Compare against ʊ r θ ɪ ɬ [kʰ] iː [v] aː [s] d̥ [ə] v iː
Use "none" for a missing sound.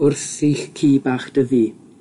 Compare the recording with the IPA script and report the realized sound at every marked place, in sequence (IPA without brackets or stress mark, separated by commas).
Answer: kʰ, b, χ, ə